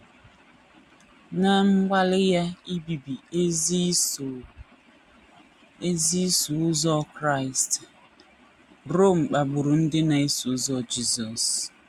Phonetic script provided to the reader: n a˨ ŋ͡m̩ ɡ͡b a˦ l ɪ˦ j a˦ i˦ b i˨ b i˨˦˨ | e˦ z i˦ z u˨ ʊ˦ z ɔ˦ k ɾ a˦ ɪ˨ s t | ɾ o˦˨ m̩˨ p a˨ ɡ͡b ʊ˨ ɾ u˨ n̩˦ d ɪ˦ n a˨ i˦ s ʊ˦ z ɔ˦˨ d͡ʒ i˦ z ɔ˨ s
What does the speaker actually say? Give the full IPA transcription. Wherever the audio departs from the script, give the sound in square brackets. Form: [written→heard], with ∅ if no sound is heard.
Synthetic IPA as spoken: n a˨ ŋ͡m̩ ɡ͡b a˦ l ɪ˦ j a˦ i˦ b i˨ b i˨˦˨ | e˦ z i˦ [z→s] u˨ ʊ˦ z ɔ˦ k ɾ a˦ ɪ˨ s t | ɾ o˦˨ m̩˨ [p→k͡p] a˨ ɡ͡b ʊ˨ ɾ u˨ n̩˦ d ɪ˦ n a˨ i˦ s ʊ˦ z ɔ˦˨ d͡ʒ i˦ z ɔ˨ s